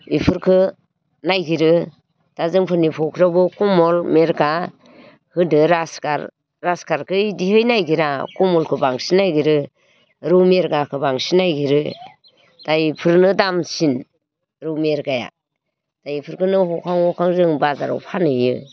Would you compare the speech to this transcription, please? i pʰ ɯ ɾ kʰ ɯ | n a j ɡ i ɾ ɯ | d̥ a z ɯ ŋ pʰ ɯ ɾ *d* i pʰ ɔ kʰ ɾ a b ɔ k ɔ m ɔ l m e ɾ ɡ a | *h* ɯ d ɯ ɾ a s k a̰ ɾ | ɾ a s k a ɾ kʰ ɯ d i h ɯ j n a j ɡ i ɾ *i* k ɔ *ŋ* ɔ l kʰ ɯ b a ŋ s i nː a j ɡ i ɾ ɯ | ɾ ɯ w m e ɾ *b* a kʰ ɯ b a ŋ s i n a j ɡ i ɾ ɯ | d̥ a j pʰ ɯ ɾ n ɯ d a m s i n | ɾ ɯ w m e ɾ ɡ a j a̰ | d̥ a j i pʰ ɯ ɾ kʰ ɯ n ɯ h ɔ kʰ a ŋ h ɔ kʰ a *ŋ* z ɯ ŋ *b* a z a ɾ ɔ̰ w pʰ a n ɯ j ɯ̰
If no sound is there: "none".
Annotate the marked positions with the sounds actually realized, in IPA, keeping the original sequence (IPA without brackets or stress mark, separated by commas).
n, h, a, m, ɡ, ŋ, b